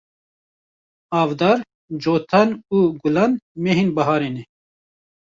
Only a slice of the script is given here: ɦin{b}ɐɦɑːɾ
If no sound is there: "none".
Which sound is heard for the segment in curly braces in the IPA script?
b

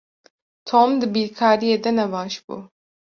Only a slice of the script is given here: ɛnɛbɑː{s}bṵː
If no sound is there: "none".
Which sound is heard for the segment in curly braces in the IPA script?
ʃ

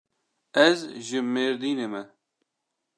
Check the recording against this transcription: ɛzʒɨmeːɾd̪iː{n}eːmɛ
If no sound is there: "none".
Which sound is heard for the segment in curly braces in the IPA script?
n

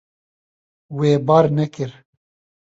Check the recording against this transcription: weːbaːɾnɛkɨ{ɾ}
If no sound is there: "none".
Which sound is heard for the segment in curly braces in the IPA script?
ɾ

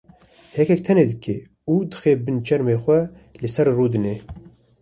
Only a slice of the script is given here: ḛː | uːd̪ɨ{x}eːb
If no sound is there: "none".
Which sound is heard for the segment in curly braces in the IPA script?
x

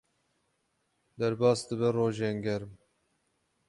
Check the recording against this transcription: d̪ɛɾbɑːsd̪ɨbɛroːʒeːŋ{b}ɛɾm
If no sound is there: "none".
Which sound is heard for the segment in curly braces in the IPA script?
ɡ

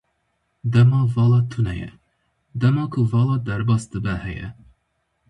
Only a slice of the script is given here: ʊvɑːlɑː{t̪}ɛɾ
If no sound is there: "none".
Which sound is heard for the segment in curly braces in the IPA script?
d̪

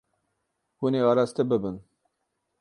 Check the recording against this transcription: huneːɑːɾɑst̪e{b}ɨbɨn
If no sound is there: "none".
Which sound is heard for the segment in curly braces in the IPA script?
b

